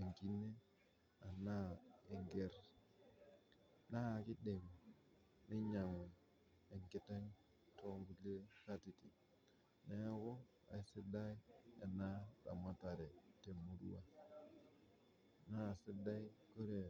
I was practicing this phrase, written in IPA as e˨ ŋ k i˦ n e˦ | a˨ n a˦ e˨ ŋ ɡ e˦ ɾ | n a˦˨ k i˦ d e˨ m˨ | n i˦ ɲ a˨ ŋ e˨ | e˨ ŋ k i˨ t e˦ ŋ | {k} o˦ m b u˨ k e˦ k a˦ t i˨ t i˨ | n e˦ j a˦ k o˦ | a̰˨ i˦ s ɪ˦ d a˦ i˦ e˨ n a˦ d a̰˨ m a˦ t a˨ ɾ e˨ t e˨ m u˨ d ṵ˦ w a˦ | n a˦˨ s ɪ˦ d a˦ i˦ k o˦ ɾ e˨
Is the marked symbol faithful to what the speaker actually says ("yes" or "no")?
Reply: no